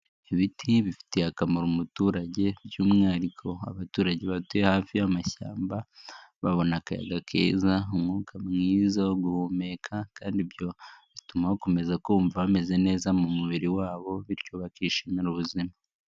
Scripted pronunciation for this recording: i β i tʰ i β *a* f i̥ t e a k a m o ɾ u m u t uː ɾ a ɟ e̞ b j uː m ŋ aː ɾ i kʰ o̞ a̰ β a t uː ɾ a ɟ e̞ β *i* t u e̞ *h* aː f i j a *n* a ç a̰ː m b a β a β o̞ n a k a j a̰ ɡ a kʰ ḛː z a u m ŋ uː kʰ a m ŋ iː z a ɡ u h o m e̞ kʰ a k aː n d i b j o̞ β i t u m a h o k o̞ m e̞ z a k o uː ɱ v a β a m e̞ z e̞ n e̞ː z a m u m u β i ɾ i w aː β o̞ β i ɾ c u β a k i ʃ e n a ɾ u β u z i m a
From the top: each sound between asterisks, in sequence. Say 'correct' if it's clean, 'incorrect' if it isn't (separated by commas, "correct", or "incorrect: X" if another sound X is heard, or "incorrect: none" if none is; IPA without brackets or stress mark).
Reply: incorrect: i, incorrect: a, correct, incorrect: m